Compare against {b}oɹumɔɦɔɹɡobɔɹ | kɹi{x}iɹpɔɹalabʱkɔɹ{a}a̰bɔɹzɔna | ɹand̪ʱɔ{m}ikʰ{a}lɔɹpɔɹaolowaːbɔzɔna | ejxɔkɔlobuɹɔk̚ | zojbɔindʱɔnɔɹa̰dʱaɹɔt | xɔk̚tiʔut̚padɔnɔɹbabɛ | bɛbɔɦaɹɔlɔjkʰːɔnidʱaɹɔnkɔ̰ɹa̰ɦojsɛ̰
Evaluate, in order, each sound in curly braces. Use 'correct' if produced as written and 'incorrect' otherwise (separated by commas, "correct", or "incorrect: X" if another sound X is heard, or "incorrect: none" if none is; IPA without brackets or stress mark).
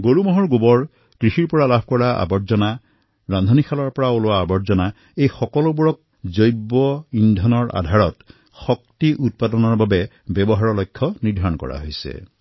incorrect: ɡ, correct, correct, incorrect: n, correct